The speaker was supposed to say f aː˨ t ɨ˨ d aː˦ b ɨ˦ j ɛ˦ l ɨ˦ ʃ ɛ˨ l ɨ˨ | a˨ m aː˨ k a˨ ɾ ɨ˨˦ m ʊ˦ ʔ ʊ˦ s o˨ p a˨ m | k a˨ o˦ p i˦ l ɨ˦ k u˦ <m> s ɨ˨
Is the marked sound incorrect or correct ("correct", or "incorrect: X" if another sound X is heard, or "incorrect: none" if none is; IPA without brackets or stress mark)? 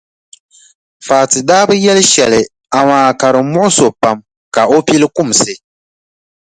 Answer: correct